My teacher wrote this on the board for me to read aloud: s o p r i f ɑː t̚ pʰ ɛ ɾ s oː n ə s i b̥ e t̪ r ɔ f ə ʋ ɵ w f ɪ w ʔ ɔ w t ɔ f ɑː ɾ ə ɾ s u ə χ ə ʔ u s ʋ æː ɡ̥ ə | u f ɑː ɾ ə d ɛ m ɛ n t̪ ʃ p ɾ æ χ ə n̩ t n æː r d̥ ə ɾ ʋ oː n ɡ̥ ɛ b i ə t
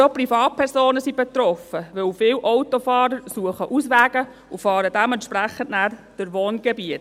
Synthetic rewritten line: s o p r i f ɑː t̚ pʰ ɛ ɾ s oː n ə s i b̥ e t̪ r ɔ f ə ʋ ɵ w f ɪ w ʔ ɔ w t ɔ f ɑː ɾ ə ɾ s u ə χ ə ʔ u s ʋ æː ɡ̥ ə | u f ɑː ɾ ə d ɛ m ɛ n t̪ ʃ p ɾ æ χ ə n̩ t n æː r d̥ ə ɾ ʋ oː n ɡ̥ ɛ b i ə t